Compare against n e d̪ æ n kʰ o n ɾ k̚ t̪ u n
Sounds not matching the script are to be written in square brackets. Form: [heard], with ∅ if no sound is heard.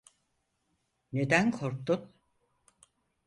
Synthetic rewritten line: n e d̪ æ n kʰ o [∅] ɾ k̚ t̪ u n